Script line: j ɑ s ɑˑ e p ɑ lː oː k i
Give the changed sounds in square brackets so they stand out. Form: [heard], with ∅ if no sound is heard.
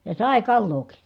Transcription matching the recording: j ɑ s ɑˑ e [k] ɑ lː oː k i